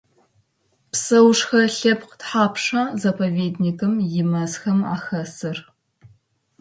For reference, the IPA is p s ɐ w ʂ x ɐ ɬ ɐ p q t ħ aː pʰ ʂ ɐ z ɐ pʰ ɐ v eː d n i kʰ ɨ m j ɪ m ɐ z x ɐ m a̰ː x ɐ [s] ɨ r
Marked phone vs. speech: correct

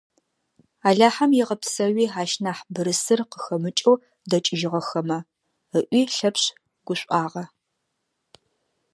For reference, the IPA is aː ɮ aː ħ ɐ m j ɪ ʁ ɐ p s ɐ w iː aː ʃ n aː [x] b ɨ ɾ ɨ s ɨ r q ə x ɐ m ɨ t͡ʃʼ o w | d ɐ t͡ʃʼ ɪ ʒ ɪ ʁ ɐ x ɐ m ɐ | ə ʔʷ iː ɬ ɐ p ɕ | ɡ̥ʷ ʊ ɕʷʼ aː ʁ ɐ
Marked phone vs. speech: incorrect: ħ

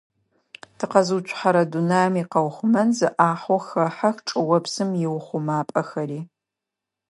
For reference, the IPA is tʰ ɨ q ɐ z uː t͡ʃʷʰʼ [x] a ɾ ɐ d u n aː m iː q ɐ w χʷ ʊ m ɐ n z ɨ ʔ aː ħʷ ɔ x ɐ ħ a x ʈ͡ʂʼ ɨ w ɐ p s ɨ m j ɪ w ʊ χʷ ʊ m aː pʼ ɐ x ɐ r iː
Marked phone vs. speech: incorrect: ħ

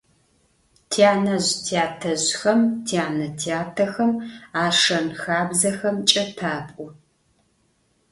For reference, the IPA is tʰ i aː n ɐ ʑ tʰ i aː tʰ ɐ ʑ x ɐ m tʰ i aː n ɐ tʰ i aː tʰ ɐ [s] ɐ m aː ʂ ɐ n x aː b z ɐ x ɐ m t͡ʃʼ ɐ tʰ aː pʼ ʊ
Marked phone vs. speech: incorrect: x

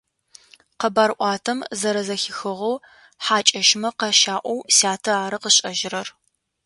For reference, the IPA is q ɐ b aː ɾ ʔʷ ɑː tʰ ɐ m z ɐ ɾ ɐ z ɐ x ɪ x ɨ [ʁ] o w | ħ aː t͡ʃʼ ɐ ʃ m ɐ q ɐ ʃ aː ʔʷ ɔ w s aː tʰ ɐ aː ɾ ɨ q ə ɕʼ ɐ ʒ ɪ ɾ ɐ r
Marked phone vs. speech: correct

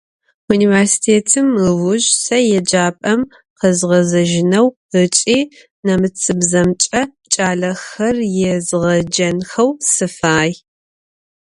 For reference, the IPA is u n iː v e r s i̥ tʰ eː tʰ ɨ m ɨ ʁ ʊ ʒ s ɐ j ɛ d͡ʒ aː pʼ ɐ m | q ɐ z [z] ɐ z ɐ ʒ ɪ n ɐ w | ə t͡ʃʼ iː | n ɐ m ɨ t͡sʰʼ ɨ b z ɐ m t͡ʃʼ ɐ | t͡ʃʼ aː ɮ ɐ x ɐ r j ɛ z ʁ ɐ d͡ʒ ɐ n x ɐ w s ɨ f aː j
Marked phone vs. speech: incorrect: ʁ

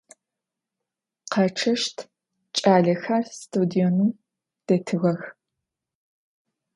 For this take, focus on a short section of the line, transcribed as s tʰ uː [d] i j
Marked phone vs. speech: correct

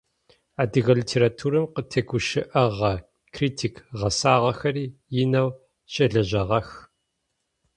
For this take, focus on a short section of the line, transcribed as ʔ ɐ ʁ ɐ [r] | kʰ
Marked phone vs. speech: incorrect: none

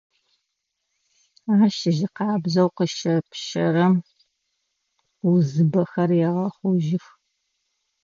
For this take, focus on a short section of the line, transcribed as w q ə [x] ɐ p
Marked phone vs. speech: incorrect: ʃ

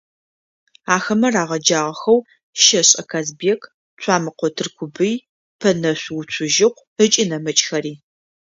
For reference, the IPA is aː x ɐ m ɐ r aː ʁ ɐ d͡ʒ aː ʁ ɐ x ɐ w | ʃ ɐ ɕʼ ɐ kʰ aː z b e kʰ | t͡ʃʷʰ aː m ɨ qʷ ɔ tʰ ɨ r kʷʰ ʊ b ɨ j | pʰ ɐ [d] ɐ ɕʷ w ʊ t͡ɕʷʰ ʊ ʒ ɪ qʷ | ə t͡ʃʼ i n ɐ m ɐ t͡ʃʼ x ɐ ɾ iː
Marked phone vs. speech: incorrect: n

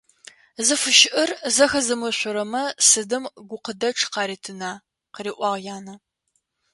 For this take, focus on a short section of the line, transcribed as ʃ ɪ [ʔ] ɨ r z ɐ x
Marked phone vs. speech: correct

